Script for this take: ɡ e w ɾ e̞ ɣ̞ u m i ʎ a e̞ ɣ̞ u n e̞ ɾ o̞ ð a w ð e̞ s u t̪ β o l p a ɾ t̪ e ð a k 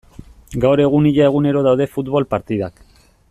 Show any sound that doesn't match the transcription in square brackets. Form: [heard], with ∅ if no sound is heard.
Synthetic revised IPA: ɡ [a] w ɾ e̞ ɣ̞ u [n] i ʎ a e̞ ɣ̞ u n e̞ ɾ o̞ ð a w ð e̞ [f] u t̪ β o l p a ɾ t̪ [i] ð a k